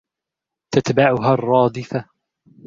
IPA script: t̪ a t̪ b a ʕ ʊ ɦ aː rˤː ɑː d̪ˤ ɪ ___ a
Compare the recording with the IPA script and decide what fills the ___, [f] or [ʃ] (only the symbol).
f